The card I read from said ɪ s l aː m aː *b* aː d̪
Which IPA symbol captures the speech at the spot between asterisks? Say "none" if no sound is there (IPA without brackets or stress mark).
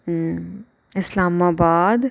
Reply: b